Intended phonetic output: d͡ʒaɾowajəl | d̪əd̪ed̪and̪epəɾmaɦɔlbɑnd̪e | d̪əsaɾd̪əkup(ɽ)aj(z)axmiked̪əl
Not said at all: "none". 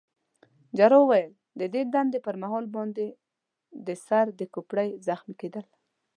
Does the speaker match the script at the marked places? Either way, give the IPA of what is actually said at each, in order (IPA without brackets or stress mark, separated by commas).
ɽ, z